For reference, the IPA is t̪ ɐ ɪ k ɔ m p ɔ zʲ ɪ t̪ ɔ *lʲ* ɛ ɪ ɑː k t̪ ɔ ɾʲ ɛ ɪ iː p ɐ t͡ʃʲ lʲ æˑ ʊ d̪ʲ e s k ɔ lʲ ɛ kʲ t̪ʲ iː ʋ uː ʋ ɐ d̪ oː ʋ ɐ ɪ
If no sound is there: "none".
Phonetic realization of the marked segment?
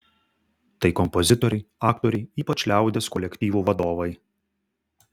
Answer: ɾʲ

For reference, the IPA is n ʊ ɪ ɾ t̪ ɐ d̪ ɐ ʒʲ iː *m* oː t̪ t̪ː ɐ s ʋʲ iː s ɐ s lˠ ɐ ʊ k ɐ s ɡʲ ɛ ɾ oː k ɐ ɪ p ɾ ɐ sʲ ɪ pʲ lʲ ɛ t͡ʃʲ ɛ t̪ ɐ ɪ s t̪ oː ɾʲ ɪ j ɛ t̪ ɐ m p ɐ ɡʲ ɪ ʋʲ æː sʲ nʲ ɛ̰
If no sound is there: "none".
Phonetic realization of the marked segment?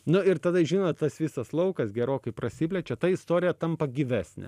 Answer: n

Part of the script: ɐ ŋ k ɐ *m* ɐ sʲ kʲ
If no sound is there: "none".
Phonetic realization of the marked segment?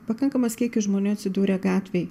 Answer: m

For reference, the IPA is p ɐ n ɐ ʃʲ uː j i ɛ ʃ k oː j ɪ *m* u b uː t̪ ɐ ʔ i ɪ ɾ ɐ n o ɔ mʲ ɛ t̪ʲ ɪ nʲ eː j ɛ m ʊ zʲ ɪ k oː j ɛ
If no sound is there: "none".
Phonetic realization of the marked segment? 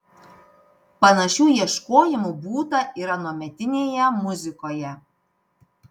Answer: m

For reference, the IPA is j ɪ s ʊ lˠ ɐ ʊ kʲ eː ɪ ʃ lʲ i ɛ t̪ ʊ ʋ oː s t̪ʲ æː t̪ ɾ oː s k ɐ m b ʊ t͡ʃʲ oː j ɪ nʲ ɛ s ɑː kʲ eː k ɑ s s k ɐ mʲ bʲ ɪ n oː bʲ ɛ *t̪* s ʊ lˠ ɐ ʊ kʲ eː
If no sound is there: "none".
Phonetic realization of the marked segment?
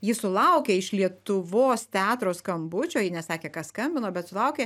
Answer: t̪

